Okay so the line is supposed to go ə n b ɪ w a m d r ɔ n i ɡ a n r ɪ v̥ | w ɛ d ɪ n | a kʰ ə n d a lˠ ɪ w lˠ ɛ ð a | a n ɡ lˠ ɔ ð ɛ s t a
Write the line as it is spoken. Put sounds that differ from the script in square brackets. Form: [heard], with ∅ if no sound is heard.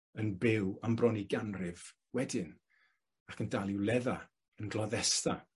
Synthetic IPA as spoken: ə n b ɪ w a m [b] r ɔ n i ɡ a n r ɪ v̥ | w ɛ d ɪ n | a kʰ ə n d a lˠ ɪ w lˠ ɛ ð a | [ə] n ɡ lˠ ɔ ð ɛ s t a